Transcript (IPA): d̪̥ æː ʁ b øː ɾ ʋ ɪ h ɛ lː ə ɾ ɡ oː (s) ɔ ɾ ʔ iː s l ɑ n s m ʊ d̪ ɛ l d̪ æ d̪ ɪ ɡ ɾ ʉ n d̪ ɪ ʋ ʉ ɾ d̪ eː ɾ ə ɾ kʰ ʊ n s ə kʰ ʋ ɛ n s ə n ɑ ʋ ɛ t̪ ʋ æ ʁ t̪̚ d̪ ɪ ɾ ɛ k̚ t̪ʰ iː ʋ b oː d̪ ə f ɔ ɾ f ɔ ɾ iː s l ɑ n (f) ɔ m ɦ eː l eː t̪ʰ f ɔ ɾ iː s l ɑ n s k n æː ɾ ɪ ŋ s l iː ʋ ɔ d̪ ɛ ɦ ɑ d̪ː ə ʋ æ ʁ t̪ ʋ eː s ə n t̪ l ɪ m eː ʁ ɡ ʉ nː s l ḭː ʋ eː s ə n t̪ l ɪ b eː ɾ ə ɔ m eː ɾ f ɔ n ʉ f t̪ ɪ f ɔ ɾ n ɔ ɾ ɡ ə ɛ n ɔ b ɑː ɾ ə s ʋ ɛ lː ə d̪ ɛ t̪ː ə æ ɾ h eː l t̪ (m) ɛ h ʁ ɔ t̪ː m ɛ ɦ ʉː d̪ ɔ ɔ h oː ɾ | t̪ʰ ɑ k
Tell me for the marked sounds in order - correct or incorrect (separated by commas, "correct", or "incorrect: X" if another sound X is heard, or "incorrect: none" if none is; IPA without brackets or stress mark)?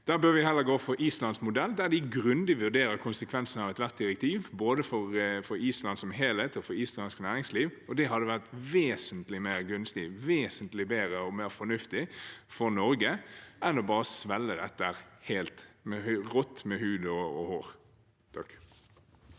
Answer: incorrect: f, incorrect: s, correct